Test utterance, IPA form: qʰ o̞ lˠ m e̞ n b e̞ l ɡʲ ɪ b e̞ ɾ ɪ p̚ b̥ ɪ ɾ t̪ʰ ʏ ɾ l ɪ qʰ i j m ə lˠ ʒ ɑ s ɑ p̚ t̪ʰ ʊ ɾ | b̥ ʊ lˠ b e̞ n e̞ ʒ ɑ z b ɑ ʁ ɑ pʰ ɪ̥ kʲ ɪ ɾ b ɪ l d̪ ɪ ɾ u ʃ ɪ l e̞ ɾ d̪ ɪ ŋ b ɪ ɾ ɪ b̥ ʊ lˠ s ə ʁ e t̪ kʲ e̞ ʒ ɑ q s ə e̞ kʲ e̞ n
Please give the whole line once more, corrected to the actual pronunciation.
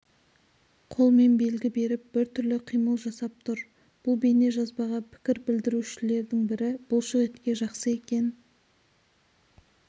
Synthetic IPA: qʰ o̞ lˠ m e̞ n b e̞ l ɡʲ ɪ b e̞ ɾ ɪ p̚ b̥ ɪ ɾ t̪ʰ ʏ ɾ l ɪ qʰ i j m ə lˠ ʒ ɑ s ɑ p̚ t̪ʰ ʊ ɾ | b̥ ʊ lˠ b e̞ n e̞ ʒ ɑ z b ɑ ʁ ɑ pʰ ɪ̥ kʲ ɪ ɾ b ɪ l d̪ ɪ ɾ u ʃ ɪ l e̞ ɾ d̪ ɪ ŋ b ɪ ɾ ɪ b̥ ʊ lˠ ʃ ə ʁ e t̪ kʲ e̞ ʒ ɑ q s ə e̞ kʲ e̞ n